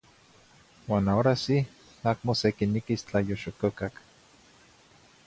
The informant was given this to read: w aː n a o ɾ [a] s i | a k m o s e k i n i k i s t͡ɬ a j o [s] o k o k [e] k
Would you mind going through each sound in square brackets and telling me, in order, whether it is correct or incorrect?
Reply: correct, incorrect, incorrect

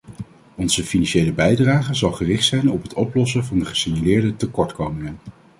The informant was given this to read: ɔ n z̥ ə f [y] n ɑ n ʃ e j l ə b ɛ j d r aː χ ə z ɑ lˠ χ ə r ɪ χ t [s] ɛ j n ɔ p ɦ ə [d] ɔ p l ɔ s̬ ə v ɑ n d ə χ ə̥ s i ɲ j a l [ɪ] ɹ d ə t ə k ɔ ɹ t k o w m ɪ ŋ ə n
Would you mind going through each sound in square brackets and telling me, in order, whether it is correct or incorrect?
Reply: incorrect, correct, incorrect, incorrect

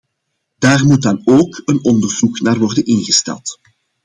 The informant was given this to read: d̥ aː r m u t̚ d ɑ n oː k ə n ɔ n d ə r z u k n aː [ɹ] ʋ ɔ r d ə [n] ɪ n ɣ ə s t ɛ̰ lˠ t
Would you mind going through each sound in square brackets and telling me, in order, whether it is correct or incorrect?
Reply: incorrect, correct

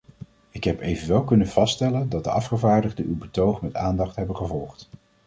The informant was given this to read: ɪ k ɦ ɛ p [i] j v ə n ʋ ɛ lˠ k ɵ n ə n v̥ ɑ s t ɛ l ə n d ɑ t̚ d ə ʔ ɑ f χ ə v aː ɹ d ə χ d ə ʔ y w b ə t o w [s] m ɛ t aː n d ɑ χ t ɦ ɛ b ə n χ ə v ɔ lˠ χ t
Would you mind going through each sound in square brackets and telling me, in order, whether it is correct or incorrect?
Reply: incorrect, incorrect

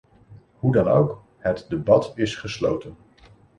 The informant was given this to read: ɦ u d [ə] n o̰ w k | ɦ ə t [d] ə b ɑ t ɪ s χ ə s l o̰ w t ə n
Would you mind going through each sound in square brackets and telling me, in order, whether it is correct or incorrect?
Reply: incorrect, correct

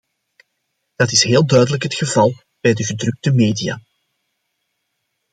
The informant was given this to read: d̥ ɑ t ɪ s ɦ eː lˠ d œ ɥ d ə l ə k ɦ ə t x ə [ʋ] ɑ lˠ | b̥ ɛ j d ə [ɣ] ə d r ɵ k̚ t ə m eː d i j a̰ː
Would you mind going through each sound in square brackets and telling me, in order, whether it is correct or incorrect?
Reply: incorrect, correct

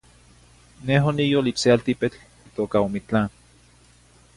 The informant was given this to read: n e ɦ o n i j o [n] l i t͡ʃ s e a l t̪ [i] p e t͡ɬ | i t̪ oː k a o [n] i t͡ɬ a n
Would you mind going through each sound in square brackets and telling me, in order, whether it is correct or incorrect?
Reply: incorrect, correct, incorrect

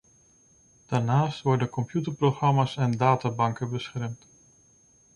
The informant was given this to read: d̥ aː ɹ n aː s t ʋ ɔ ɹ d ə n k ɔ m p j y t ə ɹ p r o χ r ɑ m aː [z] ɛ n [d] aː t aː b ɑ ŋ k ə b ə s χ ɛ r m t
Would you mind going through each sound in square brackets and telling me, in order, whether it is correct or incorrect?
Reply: incorrect, correct

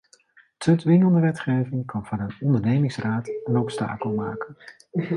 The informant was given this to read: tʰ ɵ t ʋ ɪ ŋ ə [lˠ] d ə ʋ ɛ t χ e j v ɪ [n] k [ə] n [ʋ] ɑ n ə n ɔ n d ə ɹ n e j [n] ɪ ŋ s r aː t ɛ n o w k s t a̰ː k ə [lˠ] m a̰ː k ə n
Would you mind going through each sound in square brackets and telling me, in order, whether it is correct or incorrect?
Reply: correct, incorrect, incorrect, incorrect, incorrect, correct

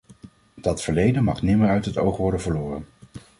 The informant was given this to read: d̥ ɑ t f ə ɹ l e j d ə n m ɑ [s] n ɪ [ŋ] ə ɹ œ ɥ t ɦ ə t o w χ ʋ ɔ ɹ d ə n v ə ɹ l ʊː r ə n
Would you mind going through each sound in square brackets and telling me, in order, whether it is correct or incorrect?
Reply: incorrect, incorrect

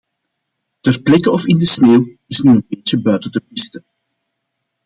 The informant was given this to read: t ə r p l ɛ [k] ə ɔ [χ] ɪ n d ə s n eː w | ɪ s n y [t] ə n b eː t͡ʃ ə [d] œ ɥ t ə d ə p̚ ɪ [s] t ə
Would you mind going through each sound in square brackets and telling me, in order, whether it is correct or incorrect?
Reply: correct, incorrect, incorrect, incorrect, correct

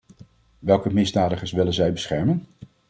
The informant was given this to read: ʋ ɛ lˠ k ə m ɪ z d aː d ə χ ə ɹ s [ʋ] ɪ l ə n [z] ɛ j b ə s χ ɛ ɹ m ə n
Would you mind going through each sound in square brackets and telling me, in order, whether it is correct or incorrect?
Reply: correct, correct

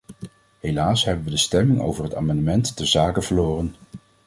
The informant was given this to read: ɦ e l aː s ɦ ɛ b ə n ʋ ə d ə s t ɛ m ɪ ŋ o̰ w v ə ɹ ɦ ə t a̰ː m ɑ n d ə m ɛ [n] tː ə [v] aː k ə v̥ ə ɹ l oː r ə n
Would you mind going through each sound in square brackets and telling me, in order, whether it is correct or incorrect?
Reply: correct, incorrect

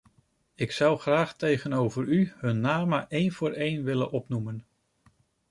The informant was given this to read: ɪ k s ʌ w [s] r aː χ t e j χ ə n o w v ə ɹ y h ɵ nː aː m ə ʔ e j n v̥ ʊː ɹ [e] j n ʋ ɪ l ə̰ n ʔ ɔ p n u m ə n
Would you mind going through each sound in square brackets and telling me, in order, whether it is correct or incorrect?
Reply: incorrect, correct

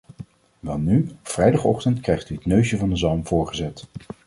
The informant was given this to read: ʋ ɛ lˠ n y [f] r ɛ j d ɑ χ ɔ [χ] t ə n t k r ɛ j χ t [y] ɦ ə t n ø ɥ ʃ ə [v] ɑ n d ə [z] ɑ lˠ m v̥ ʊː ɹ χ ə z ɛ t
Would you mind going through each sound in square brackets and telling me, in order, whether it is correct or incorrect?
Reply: correct, correct, correct, correct, correct

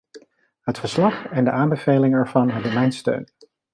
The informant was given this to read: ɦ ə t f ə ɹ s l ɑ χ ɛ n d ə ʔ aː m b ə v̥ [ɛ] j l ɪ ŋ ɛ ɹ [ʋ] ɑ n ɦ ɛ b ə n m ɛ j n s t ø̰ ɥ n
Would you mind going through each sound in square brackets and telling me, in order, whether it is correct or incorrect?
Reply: incorrect, incorrect

